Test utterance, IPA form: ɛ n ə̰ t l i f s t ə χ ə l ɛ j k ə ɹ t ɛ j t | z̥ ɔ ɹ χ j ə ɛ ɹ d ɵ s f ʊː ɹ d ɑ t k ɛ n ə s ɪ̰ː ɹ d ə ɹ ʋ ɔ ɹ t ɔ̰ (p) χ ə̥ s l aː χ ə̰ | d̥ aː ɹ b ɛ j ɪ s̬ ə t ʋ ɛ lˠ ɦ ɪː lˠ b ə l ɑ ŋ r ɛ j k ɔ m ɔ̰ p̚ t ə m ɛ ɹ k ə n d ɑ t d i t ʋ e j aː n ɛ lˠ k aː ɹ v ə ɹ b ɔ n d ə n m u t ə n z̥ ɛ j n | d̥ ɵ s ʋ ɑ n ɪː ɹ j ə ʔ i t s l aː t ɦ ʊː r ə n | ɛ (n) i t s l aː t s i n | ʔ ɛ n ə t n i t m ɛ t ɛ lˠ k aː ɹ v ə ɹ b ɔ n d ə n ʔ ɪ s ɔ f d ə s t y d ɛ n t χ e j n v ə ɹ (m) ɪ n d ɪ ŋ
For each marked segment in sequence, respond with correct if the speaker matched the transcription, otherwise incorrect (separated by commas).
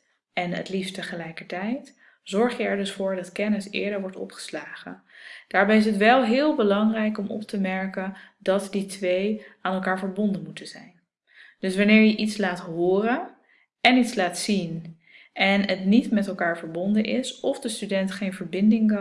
correct, correct, incorrect